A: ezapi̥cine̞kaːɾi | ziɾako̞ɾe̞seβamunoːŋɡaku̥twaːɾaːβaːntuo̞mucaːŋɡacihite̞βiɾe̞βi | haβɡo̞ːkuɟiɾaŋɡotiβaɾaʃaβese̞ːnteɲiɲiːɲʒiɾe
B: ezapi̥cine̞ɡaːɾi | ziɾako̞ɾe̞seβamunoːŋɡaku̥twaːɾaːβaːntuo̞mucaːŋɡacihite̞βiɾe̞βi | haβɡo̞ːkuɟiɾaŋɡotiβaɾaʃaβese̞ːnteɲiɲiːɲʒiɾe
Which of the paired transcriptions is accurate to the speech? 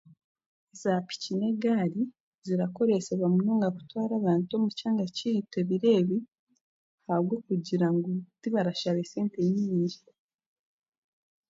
B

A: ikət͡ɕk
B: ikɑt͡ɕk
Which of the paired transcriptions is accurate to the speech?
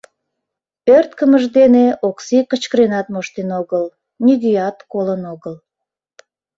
A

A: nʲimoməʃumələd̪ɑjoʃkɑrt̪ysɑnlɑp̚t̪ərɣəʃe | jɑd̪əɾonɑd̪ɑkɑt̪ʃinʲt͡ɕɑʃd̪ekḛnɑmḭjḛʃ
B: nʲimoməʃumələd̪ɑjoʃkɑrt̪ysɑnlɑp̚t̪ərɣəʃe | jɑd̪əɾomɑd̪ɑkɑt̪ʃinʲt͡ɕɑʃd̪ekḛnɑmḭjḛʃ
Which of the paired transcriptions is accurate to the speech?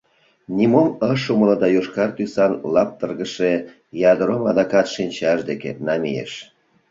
B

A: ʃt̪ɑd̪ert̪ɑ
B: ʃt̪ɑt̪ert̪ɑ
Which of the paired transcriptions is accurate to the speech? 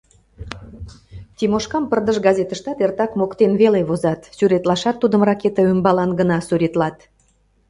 B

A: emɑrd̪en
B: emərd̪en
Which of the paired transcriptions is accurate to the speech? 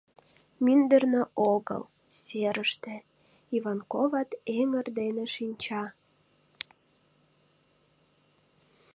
B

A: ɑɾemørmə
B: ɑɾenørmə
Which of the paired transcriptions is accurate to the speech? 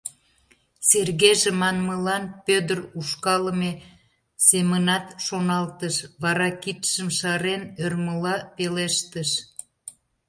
B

